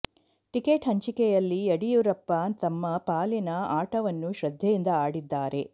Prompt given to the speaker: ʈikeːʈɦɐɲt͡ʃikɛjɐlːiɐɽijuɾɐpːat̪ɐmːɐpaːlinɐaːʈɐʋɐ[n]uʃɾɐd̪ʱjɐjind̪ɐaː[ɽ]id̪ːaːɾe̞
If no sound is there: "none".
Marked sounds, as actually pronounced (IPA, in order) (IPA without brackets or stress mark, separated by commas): nː, ɽ